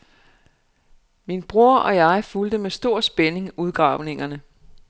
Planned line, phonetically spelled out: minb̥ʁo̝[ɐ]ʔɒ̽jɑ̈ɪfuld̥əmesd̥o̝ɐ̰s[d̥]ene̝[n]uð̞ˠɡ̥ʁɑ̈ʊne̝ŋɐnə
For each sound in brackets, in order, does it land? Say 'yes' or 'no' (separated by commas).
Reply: yes, no, no